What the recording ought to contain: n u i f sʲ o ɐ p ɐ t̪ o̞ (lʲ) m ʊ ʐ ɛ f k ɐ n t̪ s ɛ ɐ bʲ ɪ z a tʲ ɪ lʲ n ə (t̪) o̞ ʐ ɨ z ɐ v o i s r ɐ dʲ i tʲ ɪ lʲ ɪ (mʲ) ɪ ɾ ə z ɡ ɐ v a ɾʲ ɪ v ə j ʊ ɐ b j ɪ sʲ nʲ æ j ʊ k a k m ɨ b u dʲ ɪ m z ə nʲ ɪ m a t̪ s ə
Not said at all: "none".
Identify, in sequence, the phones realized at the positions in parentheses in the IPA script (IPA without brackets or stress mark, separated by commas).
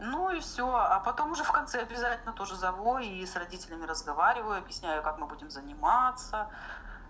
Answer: none, t̪, mʲ